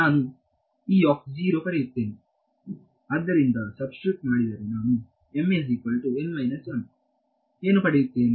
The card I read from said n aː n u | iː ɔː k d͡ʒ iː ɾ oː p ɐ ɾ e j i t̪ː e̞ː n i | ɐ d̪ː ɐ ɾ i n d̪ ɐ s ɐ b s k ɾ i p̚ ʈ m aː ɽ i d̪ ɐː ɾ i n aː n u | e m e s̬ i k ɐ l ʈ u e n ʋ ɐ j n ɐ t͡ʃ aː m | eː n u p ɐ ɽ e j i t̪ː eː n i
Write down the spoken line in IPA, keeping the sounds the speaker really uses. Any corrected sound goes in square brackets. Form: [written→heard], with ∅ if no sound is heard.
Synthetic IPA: n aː n u | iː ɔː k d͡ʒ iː ɾ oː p ɐ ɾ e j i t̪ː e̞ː n i | ɐ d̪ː ɐ ɾ i n d̪ ɐ s ɐ b s k ɾ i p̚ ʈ m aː ɽ i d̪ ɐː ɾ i n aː n u | e m e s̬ i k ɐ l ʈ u e n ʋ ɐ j n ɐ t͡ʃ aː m | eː n u p ɐ ɽ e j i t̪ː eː n i